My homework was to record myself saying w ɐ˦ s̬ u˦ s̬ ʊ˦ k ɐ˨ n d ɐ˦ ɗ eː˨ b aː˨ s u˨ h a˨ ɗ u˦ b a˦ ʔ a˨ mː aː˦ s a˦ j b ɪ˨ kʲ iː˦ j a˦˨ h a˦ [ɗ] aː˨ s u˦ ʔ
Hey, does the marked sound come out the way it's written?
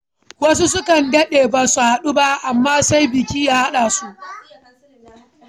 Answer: yes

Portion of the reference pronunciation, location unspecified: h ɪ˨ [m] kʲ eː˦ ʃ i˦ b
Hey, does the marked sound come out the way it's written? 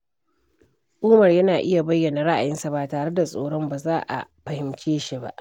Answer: yes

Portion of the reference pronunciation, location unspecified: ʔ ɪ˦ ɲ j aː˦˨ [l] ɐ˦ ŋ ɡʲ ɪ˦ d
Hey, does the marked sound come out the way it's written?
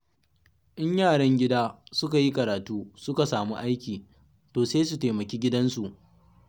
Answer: no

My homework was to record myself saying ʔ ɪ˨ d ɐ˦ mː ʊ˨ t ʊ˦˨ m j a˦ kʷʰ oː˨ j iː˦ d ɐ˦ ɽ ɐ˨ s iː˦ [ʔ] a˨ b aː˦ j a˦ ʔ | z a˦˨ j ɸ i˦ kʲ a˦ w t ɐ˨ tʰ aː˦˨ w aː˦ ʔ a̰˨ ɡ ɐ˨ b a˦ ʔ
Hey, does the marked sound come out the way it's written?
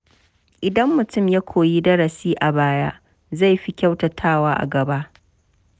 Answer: yes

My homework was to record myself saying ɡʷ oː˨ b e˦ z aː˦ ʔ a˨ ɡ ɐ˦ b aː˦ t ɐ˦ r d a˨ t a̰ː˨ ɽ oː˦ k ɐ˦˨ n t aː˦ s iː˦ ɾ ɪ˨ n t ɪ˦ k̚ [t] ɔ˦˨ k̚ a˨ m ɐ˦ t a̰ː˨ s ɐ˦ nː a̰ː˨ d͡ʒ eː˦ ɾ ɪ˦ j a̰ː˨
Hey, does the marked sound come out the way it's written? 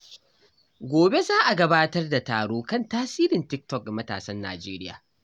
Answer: yes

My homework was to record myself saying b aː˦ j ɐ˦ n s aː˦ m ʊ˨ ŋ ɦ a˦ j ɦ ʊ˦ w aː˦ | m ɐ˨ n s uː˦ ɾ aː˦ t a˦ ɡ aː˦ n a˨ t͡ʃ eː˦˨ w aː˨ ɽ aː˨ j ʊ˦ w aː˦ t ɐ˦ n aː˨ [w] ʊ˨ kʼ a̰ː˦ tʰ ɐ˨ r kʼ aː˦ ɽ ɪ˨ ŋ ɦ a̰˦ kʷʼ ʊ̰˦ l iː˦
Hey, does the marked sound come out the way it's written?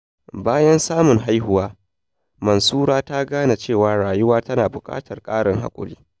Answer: no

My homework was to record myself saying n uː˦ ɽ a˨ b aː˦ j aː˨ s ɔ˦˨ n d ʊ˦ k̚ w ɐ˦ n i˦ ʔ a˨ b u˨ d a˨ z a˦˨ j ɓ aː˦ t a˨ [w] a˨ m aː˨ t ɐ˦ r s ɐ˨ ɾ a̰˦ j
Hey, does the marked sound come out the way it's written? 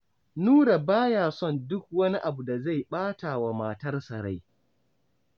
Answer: yes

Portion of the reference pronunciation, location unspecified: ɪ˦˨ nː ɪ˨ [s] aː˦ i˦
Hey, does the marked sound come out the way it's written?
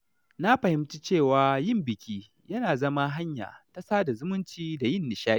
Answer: no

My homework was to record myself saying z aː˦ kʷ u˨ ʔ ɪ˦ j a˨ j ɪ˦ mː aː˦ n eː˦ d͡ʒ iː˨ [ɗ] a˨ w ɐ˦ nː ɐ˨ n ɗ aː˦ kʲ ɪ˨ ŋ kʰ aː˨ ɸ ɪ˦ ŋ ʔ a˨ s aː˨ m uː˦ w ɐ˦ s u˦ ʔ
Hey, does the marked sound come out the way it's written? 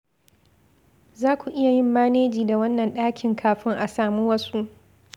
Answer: no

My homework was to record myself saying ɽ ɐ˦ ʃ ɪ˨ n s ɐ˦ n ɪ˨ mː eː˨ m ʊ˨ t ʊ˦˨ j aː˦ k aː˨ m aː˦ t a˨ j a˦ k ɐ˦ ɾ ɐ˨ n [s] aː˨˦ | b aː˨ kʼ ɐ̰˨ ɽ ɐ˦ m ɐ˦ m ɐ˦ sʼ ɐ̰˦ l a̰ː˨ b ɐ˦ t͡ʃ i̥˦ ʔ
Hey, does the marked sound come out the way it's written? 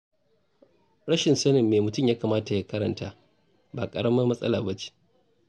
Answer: no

